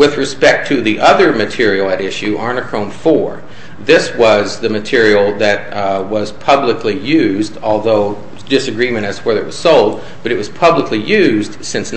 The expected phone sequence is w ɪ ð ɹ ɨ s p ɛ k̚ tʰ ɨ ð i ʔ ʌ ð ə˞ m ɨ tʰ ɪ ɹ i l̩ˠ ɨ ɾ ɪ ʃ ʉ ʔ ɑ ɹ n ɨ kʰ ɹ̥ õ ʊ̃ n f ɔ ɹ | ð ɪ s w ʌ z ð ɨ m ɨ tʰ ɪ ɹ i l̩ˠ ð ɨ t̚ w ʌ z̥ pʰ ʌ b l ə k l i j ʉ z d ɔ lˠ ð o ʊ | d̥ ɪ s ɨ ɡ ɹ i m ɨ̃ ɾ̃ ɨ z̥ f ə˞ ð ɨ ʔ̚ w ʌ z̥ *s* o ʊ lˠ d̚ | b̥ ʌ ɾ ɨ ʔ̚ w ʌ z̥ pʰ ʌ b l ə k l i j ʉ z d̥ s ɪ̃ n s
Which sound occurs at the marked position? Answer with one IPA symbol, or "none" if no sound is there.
s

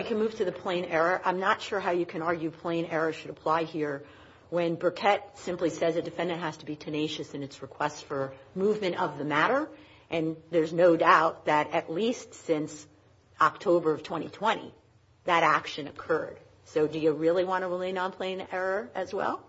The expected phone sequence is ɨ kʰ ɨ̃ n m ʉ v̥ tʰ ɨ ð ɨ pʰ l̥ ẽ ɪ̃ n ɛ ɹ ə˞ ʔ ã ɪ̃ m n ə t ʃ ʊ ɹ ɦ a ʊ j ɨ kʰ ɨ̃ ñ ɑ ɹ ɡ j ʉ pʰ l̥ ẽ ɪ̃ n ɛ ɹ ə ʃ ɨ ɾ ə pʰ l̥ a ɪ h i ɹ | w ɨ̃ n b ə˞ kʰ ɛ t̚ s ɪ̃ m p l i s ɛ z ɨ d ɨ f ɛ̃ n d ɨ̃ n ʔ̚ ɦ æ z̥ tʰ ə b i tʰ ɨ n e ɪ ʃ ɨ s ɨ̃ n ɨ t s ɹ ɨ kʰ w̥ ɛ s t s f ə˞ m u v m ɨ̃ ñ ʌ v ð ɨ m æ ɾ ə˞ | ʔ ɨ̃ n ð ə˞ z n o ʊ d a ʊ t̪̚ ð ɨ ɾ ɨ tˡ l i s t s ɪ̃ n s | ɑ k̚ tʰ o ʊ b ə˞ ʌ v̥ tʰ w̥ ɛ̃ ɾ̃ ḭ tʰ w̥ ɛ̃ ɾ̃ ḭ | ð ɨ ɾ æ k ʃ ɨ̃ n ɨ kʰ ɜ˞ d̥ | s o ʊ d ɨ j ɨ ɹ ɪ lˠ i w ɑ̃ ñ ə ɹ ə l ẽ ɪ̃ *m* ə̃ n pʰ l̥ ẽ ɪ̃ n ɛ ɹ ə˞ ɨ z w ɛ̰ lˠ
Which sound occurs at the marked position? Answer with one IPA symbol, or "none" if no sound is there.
n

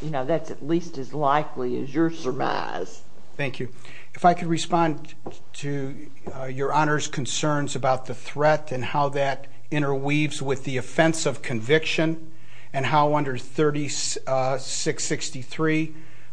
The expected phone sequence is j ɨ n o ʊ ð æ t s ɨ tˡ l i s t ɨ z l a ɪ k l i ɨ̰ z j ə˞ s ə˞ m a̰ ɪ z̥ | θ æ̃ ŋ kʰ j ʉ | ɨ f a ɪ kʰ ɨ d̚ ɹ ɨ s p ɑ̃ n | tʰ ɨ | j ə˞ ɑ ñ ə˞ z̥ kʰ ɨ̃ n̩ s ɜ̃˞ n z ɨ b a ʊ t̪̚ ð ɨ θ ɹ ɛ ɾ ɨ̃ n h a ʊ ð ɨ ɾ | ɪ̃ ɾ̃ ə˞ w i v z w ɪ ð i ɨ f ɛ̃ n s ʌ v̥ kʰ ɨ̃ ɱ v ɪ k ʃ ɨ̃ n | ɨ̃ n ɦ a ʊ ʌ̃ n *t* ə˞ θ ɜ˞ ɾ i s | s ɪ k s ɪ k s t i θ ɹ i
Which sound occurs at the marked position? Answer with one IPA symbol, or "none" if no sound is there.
d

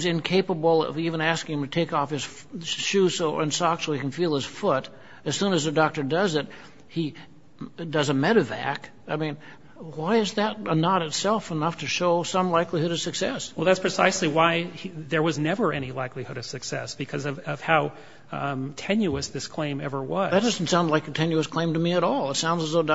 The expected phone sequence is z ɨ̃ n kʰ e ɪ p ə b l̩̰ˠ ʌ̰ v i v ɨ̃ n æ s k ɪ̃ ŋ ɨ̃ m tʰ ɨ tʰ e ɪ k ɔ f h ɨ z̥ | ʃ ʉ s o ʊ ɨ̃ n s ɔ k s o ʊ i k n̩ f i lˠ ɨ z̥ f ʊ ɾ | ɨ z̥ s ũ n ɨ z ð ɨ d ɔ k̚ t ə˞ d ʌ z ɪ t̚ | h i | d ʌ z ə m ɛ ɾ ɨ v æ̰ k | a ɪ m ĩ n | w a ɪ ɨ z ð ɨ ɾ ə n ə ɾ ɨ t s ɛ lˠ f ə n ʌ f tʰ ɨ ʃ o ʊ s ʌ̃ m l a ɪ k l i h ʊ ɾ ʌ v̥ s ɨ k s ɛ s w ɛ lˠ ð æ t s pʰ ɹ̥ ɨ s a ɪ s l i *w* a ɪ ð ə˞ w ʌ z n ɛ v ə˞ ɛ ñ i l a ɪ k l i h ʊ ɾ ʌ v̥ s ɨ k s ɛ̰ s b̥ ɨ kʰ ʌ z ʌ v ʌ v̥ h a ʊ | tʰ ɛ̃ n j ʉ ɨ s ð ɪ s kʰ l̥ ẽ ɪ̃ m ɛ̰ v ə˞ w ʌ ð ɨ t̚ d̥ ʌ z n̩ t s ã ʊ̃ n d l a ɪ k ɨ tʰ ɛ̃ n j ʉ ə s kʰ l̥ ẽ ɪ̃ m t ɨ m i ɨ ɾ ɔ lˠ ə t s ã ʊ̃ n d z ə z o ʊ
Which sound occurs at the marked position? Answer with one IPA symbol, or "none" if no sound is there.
w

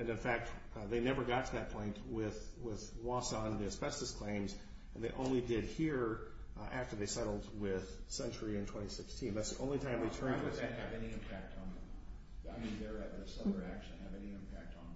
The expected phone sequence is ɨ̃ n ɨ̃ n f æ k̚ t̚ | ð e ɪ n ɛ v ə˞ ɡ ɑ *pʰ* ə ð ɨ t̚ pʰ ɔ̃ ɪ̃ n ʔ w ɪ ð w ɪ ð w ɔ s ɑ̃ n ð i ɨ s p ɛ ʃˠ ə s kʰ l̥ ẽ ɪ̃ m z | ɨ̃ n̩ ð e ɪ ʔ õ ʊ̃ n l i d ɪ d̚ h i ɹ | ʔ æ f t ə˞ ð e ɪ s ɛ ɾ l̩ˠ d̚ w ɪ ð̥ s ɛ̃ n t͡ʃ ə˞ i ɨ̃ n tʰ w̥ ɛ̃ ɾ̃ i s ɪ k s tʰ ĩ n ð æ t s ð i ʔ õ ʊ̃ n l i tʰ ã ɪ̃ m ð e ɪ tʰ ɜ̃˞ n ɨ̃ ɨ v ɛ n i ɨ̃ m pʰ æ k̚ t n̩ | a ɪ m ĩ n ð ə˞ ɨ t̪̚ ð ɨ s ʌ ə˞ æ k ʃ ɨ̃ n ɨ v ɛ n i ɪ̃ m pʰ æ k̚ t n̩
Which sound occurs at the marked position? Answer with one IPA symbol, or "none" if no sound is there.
tʰ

